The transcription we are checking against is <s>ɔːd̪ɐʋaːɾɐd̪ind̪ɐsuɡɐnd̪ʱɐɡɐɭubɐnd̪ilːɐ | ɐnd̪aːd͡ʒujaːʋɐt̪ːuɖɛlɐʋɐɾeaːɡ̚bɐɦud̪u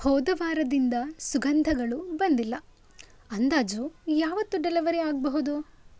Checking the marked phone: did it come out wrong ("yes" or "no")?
yes